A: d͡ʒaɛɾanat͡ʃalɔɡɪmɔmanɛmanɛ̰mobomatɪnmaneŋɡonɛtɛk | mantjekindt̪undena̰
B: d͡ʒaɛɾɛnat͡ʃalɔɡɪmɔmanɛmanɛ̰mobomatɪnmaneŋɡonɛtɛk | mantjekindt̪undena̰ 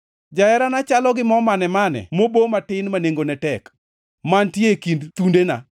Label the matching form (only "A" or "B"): A